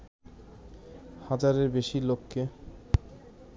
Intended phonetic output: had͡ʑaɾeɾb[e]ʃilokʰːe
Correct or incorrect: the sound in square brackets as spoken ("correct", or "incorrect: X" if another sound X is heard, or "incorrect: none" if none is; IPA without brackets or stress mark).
correct